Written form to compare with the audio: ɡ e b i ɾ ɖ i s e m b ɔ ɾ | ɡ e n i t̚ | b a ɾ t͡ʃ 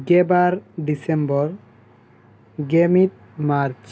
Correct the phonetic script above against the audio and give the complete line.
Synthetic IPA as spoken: ɡ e b a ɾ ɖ i s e m b ɔ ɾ | ɡ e m i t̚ | m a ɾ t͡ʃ